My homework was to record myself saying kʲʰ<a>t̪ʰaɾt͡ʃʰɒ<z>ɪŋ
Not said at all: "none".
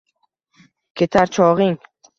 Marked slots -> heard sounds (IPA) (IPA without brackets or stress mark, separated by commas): e, ʁ